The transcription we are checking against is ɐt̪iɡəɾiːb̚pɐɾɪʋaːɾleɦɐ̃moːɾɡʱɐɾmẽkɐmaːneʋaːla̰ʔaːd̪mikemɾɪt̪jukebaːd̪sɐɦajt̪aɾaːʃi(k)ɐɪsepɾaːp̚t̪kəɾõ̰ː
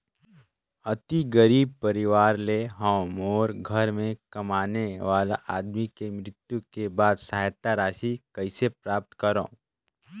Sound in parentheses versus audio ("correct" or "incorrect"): correct